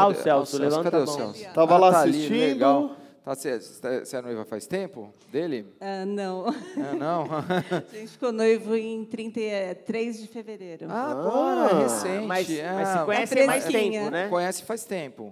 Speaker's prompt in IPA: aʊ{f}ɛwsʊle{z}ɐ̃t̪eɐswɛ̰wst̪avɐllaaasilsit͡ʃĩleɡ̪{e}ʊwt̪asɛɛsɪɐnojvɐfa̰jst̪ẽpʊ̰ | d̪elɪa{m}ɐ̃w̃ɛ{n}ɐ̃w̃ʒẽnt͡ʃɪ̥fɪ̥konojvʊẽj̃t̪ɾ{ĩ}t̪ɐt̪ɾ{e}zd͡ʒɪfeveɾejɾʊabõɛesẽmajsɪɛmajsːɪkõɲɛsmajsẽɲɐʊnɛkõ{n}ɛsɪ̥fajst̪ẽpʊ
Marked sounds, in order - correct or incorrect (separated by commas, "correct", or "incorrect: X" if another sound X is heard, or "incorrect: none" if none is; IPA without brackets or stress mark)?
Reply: incorrect: s, incorrect: v, incorrect: a, incorrect: n, correct, correct, correct, incorrect: ɲ